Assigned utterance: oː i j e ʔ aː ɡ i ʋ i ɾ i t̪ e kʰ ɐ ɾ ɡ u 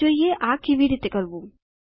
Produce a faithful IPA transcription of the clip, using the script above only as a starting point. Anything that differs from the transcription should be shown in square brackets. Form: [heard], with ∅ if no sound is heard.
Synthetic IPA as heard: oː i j e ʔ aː [k] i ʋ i ɾ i t̪ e [k] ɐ ɾ [b] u

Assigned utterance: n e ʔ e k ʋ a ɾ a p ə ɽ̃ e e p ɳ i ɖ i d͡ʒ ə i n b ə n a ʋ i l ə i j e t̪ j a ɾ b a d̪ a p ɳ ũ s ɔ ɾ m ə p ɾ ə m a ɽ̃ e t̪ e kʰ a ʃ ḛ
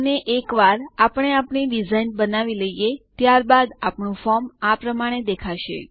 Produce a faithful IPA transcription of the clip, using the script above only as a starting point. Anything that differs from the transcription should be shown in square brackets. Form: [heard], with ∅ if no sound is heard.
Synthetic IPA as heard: n e ʔ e k ʋ a ɾ a p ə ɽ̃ e [a] p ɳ i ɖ i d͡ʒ [a] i n b ə n a ʋ i l ə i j e t̪ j a ɾ b a d̪ a p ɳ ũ [f] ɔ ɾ m [a] p ɾ ə m a ɽ̃ e [d̪] e kʰ a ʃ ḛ

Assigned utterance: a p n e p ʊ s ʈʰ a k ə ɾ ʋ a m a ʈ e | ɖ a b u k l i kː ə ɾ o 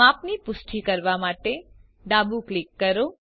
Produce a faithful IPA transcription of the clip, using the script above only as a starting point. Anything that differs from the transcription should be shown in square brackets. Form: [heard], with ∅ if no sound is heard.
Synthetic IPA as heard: a p n [i] p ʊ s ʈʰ [i] k ə ɾ ʋ a m a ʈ e | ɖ a b u k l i kː ə ɾ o

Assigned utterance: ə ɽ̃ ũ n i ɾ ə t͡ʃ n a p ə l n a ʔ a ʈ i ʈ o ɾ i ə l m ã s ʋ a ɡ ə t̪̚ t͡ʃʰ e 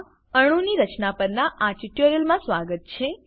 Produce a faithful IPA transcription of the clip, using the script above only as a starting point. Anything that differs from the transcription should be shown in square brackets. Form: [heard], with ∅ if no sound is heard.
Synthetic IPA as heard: ə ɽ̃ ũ n i ɾ ə t͡ʃ n a p ə [ɾ] n a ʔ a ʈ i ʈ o ɾ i ə l m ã s ʋ a ɡ ə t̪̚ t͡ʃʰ e

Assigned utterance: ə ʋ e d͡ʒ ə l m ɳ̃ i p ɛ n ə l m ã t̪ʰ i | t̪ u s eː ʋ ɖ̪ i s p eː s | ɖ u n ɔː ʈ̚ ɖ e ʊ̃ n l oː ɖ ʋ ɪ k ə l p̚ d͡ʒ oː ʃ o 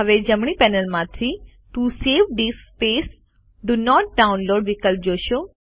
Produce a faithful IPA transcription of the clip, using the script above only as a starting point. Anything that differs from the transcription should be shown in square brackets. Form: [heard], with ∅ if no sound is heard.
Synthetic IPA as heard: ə ʋ e d͡ʒ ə [∅] m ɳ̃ i p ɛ n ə l m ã t̪ʰ i | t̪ u s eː ʋ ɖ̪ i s p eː s | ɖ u n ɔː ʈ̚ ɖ [a] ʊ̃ n l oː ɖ ʋ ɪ k ə l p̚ d͡ʒ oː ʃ o

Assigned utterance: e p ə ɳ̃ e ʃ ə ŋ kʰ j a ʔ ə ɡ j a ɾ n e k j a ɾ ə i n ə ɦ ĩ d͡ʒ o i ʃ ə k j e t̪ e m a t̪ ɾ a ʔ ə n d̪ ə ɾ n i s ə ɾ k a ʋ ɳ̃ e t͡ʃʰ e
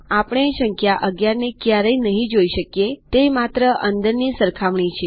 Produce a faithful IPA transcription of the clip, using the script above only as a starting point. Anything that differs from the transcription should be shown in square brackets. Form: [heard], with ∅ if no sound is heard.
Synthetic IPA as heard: [a] p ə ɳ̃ e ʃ ə ŋ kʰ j a ʔ ə ɡ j a ɾ n e k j a ɾ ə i n ə ɦ ĩ d͡ʒ o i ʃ ə k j e t̪ e m a t̪ ɾ [ə] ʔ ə n d̪ ə ɾ n i s ə ɾ [kʰ] a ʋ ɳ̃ [i] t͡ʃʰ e

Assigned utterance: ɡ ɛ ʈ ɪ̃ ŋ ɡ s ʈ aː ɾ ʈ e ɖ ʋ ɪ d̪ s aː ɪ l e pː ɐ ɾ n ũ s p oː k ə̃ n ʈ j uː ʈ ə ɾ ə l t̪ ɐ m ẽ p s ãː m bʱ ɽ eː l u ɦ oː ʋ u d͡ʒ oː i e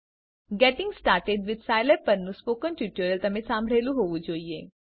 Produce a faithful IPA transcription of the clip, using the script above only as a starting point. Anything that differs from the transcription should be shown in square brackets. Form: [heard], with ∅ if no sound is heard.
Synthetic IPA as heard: ɡ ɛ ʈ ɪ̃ ŋ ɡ s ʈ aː ɾ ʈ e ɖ ʋ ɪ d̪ s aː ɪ l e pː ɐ ɾ n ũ s p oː k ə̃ n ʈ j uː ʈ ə ɾ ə l t̪ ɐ m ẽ [∅] s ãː m bʱ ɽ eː l u ɦ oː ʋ u d͡ʒ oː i e

